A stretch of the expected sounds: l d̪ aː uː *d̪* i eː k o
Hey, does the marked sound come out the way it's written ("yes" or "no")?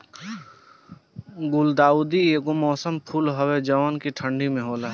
yes